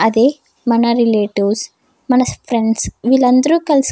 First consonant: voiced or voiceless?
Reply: voiced